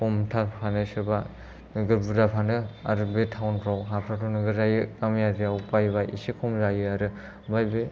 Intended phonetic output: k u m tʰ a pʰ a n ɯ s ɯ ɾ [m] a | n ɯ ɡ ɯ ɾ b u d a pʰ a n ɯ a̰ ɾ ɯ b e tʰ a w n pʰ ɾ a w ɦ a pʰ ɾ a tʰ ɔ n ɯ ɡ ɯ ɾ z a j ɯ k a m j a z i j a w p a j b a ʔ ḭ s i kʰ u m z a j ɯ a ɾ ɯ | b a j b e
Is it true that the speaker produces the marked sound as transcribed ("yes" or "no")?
no